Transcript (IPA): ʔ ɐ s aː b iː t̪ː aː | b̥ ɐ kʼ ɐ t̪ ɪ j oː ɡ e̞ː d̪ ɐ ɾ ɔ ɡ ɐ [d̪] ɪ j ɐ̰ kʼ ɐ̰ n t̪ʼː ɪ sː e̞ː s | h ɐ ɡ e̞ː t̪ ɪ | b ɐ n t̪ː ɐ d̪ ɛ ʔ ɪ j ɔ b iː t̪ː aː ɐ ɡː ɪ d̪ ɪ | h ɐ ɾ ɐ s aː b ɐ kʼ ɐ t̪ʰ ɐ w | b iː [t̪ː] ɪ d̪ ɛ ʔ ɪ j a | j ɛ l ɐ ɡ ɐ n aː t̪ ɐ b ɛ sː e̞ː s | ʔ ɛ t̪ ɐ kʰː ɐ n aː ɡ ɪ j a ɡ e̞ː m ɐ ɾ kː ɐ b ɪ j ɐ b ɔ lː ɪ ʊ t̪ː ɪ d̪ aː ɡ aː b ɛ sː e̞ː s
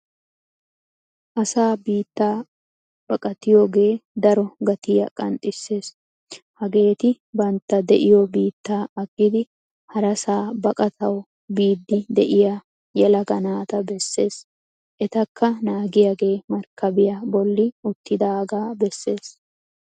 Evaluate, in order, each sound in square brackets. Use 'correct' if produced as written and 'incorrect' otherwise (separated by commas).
incorrect, incorrect